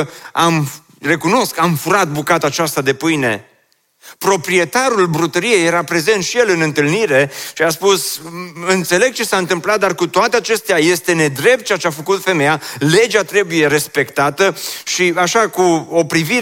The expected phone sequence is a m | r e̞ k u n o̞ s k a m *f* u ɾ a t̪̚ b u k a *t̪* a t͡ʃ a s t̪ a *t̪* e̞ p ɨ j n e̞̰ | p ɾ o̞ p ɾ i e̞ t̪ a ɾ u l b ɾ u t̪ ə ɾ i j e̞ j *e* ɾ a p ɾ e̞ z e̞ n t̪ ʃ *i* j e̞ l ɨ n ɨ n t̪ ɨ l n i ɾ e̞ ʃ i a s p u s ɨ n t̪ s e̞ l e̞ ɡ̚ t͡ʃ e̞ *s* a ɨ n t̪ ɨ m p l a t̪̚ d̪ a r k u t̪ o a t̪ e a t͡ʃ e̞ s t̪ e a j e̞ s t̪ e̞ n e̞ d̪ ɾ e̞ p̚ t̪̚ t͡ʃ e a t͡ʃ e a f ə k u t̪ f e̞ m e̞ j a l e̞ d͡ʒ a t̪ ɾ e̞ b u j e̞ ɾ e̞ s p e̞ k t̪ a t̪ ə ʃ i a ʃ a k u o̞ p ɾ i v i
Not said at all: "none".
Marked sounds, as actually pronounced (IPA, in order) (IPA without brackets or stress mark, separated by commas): f, t̪, d̪, e, i, s